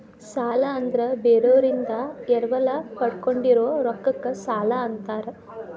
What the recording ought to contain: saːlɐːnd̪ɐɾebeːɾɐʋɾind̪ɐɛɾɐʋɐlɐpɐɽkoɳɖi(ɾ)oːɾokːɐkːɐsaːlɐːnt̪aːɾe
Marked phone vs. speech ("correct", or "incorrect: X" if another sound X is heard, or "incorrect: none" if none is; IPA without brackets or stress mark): correct